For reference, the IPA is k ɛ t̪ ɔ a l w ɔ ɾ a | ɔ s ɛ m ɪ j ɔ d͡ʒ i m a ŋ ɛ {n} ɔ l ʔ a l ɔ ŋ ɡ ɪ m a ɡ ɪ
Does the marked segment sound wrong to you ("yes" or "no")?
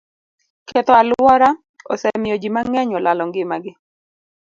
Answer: yes